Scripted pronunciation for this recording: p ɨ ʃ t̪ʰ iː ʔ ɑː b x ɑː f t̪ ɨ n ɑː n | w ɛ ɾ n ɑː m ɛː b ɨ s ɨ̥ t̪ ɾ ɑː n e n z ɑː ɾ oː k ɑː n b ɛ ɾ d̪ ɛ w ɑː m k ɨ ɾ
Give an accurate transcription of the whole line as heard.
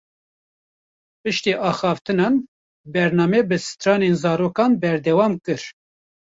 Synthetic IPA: p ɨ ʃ t̪ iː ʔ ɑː x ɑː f t̪ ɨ n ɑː n | b ɛ ɾ n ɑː m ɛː b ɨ s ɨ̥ t̪ ɾ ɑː n e n z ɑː ɾ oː k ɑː n b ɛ ɾ d̪ ɛ w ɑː m k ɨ ɾ